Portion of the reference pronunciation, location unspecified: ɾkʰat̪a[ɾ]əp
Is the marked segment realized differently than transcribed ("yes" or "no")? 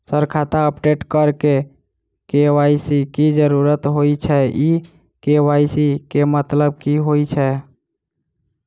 yes